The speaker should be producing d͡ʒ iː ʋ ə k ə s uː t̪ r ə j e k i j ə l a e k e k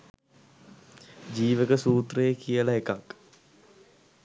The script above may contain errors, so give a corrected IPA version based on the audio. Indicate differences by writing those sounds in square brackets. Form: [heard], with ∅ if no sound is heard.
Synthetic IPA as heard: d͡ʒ iː ʋ ə k ə s uː t̪ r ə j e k i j ə l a e k [a] k